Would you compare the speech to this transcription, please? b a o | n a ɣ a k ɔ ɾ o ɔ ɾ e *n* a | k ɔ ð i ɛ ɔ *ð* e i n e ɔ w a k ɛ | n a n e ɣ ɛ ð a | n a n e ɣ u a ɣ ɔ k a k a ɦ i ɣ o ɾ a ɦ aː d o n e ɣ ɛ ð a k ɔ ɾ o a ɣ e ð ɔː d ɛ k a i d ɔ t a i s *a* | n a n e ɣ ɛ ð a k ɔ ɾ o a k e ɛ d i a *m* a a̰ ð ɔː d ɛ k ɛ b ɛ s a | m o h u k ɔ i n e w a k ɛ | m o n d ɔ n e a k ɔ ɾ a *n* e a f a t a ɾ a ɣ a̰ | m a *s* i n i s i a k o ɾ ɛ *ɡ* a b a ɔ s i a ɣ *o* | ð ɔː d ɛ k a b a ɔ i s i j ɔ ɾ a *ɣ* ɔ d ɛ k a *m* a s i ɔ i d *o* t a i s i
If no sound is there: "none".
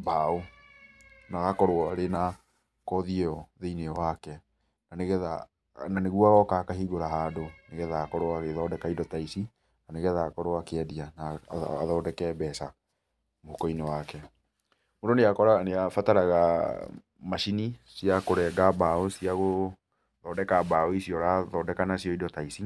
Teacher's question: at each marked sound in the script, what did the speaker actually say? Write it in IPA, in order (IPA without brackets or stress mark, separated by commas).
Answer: n, ð, i, n, n, ʃ, ɡ, o, ð, n, ɔ